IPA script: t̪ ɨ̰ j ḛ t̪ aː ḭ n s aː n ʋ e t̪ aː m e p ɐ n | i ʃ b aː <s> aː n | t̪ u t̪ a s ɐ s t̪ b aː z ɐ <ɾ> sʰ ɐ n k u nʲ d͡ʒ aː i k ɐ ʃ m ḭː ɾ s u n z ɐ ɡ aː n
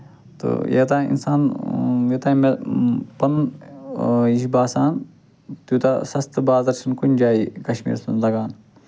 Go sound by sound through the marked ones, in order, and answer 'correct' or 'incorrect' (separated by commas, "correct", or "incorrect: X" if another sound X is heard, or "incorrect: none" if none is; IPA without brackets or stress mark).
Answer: correct, correct